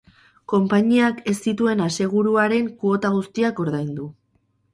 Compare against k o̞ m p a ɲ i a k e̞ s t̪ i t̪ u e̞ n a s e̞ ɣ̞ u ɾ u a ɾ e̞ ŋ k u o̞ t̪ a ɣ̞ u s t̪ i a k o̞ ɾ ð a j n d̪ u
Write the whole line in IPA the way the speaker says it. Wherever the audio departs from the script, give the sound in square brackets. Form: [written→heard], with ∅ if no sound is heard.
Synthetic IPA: k o̞ m p a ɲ i a k e̞ s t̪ i t̪ u e̞ n a s e̞ ɣ̞ u ɾ u a ɾ e̞ ŋ k u o̞ t̪ a ɣ̞ u s t̪ i a k o̞ ɾ ð a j n d̪ u